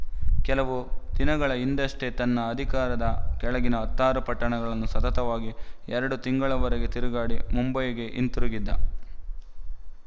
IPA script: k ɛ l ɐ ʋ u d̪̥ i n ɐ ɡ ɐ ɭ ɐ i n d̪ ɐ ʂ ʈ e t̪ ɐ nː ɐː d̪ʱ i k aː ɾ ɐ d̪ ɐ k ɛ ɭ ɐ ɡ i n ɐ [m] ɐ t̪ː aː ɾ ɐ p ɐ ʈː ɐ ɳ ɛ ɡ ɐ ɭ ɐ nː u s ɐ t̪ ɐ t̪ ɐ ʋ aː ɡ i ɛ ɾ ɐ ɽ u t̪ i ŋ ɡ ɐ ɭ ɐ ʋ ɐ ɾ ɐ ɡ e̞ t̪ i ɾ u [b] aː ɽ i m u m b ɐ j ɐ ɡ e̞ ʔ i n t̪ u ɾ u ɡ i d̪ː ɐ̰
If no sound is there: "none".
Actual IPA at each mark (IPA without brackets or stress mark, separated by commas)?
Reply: none, ɡ